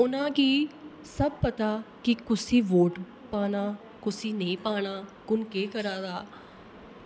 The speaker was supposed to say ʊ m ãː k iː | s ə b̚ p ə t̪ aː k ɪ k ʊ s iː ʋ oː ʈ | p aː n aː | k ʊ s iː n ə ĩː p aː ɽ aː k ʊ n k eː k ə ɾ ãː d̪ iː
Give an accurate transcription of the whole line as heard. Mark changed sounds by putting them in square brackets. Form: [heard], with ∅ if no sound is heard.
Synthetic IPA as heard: ʊ [n] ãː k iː | s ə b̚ p ə t̪ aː k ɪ k ʊ s iː ʋ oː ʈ | p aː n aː | k ʊ s iː n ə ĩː p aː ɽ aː k ʊ n k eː k ə ɾ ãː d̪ [aː]